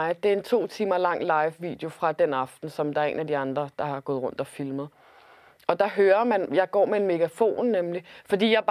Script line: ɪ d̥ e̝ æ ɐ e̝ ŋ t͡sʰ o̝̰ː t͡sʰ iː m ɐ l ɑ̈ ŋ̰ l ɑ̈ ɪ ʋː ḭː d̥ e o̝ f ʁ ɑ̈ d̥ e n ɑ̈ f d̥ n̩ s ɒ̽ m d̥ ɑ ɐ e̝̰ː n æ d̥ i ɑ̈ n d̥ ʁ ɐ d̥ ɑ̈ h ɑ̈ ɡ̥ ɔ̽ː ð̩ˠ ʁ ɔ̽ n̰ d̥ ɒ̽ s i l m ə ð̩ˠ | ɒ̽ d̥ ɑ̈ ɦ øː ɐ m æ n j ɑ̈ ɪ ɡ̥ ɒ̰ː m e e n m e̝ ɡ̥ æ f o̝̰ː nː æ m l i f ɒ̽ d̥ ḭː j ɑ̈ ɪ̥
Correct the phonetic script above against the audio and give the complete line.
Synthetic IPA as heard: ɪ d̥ e̝ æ ɐ e̝ n t͡sʰ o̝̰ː t͡sʰ iː m ɐ l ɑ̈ ŋ̰ l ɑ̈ ɪ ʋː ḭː d̥ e o̝ f ʁ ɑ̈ d̥ e n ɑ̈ f d̥ n̩ s ɒ̽ m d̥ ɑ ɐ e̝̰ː n æ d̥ i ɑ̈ n d̥ ʁ ɐ d̥ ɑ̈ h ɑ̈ ɡ̥ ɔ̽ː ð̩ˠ ʁ ɔ̽ n̰ d̥ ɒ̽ f i l m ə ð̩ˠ | ɒ̽ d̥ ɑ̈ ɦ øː ɐ m æ n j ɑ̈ ɪ ɡ̥ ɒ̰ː m e e n m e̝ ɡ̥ æ f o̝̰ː nː e m l i f ɒ̽ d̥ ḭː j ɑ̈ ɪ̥